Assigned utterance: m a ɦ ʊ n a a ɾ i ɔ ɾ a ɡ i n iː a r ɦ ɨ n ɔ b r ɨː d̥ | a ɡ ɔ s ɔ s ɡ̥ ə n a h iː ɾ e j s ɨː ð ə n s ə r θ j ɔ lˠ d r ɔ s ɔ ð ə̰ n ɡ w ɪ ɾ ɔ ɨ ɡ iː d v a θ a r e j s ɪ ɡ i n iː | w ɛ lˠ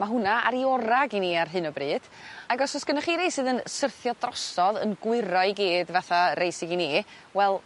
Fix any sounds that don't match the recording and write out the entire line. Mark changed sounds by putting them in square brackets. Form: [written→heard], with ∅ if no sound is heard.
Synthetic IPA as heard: m a ɦ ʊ n a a ɾ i ɔ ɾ a ɡ i n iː a r ɦ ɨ n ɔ b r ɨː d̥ | a ɡ ɔ s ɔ s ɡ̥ ə n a [h→χ] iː ɾ e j s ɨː ð ə n s ə r θ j ɔ [lˠ→∅] d r ɔ s ɔ ð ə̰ n ɡ w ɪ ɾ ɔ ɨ ɡ iː d v a θ a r e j s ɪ ɡ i n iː | w ɛ lˠ